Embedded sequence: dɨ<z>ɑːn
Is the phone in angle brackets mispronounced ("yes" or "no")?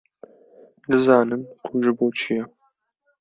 no